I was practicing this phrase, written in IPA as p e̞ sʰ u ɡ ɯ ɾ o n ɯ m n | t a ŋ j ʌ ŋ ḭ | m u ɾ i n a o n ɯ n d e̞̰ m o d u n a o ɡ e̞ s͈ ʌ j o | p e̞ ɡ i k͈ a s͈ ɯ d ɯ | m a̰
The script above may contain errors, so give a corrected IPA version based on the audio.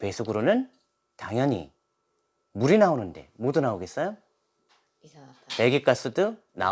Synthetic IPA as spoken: p e̞ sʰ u ɡ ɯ ɾ o n ɯ n | t a ŋ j ʌ ɲ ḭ | m u ɾ i n a o n ɯ n d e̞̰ m o d u n a o ɡ e̞ s͈ ʌ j o | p e̞ ɡ i k͈ a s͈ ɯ d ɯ | n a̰

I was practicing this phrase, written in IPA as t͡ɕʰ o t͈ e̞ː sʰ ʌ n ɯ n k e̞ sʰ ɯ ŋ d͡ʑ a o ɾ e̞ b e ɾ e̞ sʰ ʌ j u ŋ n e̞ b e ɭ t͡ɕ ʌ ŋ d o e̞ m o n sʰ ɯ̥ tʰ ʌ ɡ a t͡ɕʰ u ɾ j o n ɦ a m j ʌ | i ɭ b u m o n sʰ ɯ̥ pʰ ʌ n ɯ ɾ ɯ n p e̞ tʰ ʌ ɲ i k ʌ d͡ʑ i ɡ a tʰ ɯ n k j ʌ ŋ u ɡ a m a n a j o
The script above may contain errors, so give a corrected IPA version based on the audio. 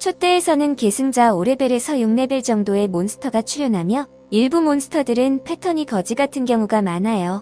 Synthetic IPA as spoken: t͡ɕʰ o t͈ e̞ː sʰ ʌ n ɯ n k e̞ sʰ ɯ ŋ d͡ʑ a o ɾ e̞ b e ɾ e̞ sʰ ʌ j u ŋ n e̞ b e ɭ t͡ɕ ʌ ŋ d o e̞ m o n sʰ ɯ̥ tʰ ʌ ɡ a t͡ɕʰ u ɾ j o n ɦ a m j ʌ | i ɭ b u m o n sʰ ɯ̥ tʰ ʌ d ɯ ɾ ɯ n pʰ e̞ tʰ ʌ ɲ i k ʌ d͡ʑ i ɡ a tʰ ɯ n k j ʌ ŋ u ɡ a m a n a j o

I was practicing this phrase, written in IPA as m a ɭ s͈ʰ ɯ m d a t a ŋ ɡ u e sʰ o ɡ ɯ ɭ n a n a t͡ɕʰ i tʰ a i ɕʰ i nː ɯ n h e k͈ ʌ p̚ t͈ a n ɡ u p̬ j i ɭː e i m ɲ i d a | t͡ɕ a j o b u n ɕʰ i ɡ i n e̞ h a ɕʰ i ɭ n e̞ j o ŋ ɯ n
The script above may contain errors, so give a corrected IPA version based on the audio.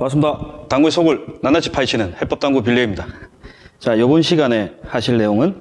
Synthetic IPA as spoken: m a ɭ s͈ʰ ɯ m d a t a ŋ ɡ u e sʰ o ɡ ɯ ɭ n a n a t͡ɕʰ i pʰ a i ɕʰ i n ɯ n h e p͈ ʌ p̚ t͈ a ŋ ɡ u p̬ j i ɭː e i m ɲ i d a | t͡ɕ a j o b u n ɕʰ i ɡ a n e̞ h a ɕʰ i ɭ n e̞ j o ŋ ɯ n

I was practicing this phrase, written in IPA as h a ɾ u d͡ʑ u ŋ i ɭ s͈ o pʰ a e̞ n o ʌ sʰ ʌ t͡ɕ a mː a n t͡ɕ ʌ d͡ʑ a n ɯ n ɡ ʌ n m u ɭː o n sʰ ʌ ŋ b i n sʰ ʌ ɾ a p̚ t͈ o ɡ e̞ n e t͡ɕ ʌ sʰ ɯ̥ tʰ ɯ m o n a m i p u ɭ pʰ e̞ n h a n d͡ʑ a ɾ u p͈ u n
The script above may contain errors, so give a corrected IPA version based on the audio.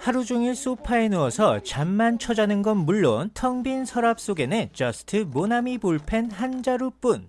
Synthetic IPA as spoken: h a ɾ u d͡ʑ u ŋ i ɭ s͈ o pʰ a e̞ n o ʌ sʰ ʌ t͡ɕ a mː a n t͡ɕʰ ʌ d͡ʑ a n ɯ n ɡ ʌ n m u ɭː o n tʰ ʌ ŋ b i n sʰ ʌ ɾ a p̚ s͈ o ɡ e̞ n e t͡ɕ ʌ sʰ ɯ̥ tʰ ɯ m o n a m i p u ɭ pʰ e̞ n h a n d͡ʑ a ɾ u p͈ u n

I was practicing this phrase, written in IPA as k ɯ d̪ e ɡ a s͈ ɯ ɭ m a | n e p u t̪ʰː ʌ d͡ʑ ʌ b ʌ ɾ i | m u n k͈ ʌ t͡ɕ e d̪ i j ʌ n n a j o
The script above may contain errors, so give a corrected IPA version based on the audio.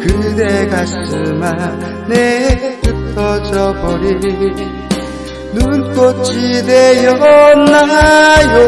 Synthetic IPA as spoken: k ɯ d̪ e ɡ a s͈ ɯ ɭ m a | n e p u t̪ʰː ʌ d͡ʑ ʌ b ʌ ɾ i | n u n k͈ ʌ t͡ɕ i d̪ e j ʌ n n a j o

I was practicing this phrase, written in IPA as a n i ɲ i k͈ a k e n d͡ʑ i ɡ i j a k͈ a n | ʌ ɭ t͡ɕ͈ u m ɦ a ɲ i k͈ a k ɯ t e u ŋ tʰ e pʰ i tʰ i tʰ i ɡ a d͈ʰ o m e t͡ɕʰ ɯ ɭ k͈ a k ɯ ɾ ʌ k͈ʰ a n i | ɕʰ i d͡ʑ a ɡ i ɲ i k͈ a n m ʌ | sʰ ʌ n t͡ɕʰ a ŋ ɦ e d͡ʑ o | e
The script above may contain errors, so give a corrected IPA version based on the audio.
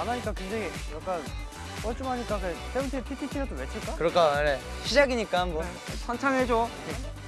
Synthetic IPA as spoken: a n a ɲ i k͈ a k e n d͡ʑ e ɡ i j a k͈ a n | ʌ ɭ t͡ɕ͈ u m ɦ a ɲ i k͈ a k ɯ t e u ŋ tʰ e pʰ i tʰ i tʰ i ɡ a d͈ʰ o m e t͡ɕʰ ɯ ɭ k͈ a k ɯ ɾ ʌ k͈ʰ a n e | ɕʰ i d͡ʑ a ɡ i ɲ i k͈ a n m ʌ | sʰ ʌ n t͡ɕʰ a ŋ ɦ e d͡ʑ o | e

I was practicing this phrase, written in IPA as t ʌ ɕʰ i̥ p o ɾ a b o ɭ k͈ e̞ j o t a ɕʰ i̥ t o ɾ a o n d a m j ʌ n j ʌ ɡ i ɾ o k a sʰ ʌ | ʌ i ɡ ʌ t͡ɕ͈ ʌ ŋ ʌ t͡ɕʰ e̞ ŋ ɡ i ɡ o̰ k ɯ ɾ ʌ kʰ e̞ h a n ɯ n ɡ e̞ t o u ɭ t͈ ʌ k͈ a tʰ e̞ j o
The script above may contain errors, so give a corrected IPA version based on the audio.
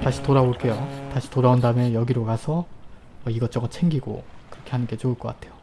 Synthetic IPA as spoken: t a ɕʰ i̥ t o ɾ a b o ɭ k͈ e̞ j o t a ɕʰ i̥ t o ɾ a o n d a m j ʌ n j ʌ ɡ i ɾ o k a sʰ ʌ | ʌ i ɡ ʌ t͡ɕ͈ ʌ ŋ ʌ t͡ɕʰ e̞ ŋ ɡ i ɡ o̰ k ɯ ɾ ʌ kʰ e̞ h a n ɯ n ɡ e̞ t͡ɕ o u ɭ k͈ ʌ k͈ a tʰ e̞ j o

